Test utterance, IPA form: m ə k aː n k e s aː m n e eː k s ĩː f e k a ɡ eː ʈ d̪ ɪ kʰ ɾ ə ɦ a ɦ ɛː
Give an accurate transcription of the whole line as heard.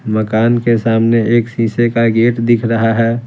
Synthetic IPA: m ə k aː n k e s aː m n e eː k s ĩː s e k a ɡ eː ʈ d̪ ɪ kʰ ɾ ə ɦ a ɦ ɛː